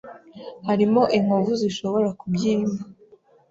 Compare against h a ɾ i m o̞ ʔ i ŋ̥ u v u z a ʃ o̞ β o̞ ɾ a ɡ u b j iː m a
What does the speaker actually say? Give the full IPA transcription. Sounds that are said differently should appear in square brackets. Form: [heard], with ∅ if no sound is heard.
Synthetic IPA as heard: h a ɾ i m o̞ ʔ i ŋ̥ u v u z [i] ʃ o̞ β o̞ ɾ a [k] u b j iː m a